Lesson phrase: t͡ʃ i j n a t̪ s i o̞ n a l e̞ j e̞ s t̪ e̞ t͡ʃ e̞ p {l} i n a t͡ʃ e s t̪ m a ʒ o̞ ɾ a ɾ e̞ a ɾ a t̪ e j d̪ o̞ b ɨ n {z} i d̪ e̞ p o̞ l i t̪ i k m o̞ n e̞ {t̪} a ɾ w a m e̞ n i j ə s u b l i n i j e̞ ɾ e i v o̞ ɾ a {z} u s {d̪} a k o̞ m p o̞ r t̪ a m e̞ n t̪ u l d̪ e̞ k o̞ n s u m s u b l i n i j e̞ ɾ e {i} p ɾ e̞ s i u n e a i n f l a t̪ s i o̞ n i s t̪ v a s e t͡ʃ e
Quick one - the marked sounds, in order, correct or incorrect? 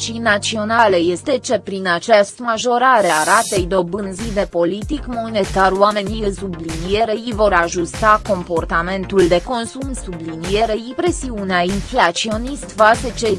incorrect: ɾ, correct, correct, incorrect: ʒ, incorrect: t̪, correct

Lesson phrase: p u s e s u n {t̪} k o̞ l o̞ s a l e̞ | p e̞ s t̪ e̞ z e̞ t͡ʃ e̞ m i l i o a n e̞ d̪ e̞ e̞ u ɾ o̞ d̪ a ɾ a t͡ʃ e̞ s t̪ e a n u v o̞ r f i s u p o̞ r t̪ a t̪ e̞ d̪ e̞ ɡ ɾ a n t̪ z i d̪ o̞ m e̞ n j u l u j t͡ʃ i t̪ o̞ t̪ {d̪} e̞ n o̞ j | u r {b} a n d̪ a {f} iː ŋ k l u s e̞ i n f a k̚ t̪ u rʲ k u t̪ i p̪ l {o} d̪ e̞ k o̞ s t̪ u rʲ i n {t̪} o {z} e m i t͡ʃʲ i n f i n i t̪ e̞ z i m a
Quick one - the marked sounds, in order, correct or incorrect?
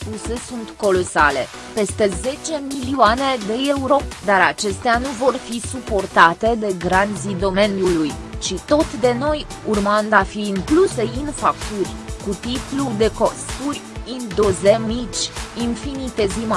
correct, correct, incorrect: m, correct, incorrect: u, incorrect: d̪, correct

